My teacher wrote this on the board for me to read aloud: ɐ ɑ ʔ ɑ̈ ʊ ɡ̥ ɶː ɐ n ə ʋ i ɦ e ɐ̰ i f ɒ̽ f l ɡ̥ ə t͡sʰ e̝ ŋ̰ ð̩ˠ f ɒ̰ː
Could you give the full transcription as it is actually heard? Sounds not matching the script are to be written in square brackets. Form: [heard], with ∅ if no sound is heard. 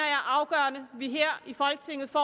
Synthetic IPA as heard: ɐ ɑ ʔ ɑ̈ ʊ ɡ̥ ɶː ɐ n ə ʋ i ɦ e ɐ̰ i f ɒ̽ [∅] l ɡ̥ ə t͡sʰ e̝ ŋ̰ ð̩ˠ f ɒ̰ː